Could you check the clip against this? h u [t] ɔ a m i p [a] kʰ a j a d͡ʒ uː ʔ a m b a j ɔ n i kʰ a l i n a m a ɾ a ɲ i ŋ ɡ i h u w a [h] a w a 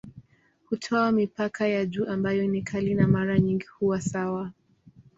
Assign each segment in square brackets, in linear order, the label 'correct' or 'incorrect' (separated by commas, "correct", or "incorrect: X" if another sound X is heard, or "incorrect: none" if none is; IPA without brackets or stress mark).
incorrect: tʰ, correct, incorrect: s